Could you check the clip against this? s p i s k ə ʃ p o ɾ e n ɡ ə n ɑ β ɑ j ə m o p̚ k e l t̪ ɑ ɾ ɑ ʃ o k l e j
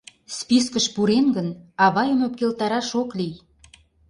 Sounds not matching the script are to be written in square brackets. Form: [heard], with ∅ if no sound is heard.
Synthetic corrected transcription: s p i s k ə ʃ p [u] ɾ e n ɡ ə n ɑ β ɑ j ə m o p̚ k e l t̪ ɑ ɾ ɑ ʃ o k l [i] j

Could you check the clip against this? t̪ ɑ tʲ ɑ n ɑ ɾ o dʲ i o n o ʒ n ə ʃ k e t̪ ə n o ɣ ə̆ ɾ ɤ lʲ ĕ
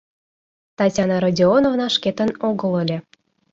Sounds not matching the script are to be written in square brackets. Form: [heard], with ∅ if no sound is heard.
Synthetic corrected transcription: t̪ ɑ tʲ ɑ n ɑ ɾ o dʲ i o n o [v] n [ɑ] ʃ k e t̪ ə n o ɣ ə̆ [l] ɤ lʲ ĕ

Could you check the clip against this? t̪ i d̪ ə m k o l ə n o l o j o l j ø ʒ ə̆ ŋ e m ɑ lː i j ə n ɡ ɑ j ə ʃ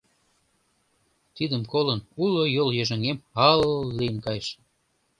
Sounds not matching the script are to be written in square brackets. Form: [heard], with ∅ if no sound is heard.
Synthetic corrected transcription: t̪ i d̪ ə m k o l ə n [u] l o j o l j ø ʒ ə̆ ŋ e m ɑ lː i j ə n [k] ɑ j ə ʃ

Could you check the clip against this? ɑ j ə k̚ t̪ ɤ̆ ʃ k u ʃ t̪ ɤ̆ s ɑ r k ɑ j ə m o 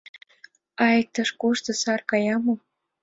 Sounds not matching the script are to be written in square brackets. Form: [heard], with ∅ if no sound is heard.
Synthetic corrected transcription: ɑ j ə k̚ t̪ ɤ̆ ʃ k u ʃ t̪ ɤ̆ s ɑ r k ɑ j [ɑ] m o

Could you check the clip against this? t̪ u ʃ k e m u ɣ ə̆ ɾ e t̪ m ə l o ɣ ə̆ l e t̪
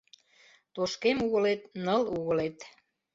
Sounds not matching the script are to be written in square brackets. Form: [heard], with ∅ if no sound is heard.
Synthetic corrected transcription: t̪ [o] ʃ k e m u ɣ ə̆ [l] e t̪ [n] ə l [u] ɣ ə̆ l e t̪

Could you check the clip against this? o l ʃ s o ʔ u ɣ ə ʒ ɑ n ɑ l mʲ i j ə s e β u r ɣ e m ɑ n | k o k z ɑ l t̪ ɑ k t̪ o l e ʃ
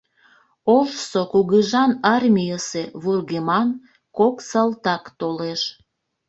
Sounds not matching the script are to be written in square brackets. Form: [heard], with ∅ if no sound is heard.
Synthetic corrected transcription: o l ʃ s o [k] u ɣ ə ʒ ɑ n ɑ [r] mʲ i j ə s e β u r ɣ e m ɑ n | k o k [s] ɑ l t̪ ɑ k t̪ o l e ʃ

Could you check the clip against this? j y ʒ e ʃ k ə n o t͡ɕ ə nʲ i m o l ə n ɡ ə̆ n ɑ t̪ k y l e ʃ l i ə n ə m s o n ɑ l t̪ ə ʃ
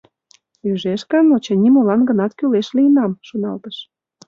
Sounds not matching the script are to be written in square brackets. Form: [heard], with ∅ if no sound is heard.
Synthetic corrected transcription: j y ʒ e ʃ k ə n o t͡ɕ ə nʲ i m o l [ɑ] n ɡ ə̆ n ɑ t̪ k y l e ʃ l i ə n [ɑ] m [ʃ] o n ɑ l t̪ ə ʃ

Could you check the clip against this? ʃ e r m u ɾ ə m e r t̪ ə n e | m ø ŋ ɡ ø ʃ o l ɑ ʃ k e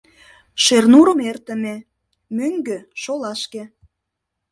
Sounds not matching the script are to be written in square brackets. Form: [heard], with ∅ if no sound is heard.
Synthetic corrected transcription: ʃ e r [n] u ɾ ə m e r t̪ ə [m] e | m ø ŋ ɡ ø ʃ o l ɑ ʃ k e

